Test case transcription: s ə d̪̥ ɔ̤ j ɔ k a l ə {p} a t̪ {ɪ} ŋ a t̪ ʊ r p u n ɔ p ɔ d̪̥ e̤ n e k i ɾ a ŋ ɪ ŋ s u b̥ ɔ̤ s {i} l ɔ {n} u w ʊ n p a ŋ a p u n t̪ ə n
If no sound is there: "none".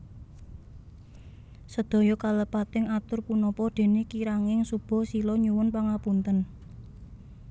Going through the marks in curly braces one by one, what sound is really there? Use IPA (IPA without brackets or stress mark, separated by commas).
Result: p, ɪ, i, ɲ